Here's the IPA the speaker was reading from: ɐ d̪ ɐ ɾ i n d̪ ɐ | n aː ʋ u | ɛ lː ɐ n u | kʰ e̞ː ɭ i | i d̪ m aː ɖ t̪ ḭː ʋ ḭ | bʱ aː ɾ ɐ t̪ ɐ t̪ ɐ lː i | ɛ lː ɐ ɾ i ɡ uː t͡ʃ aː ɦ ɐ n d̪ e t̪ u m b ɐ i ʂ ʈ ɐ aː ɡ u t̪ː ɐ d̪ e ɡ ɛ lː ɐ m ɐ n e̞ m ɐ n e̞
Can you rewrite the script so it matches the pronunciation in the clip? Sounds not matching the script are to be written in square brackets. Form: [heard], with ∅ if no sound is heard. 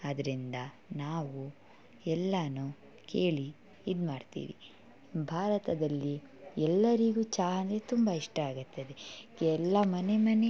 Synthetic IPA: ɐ d̪ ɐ ɾ i n d̪ ɐ | n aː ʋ u | ɛ lː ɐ n u | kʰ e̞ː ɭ i | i d̪ m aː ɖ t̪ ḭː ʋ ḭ | bʱ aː ɾ ɐ t̪ ɐ [d̪] ɐ lː i | ɛ lː ɐ ɾ i ɡ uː t͡ʃ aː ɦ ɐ n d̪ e t̪ u m b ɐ i ʂ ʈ ɐ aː ɡ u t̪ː ɐ d̪ e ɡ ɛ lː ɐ m ɐ n e̞ m ɐ n e̞